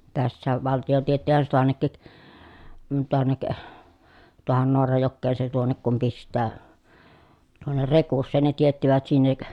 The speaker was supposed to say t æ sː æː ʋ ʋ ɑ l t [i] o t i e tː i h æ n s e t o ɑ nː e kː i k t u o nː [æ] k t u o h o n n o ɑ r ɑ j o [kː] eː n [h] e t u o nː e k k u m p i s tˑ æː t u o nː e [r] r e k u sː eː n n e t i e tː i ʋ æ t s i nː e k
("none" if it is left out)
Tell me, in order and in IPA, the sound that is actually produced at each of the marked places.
i, e, kː, s, r

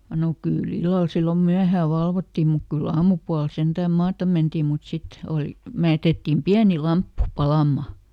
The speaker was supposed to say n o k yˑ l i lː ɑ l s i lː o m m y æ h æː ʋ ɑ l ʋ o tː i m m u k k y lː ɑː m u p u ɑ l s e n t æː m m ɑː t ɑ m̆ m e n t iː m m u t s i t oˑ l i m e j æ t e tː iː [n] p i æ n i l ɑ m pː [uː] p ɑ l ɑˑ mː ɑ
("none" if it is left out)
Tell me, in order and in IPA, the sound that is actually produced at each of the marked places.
m, u

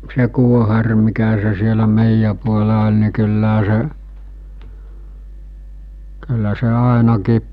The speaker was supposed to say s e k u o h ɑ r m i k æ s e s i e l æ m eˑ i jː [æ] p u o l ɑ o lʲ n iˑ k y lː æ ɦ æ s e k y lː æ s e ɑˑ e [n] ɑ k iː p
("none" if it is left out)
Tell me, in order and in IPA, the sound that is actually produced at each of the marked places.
æ, n

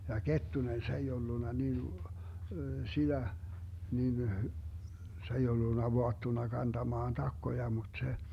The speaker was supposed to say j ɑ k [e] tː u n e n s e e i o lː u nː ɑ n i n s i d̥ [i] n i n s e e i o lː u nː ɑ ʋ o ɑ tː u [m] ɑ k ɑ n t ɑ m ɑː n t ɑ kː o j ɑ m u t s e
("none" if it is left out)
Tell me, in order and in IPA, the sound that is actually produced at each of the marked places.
e, æ, n

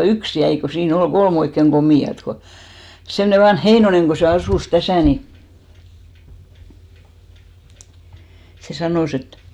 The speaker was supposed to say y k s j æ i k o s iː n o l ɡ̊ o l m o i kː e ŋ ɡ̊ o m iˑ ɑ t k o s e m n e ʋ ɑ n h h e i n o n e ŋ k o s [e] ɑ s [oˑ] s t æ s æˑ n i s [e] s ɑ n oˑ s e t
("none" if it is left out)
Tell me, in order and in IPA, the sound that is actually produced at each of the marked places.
e, uˑ, e

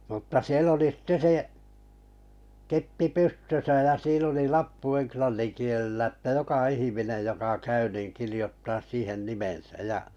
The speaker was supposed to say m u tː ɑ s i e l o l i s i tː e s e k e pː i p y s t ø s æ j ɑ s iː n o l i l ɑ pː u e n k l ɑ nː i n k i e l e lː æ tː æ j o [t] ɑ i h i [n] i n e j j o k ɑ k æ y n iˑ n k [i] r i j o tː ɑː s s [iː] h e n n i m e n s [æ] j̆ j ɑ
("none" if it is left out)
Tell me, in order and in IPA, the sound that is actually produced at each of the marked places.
k, m, i, iː, æ

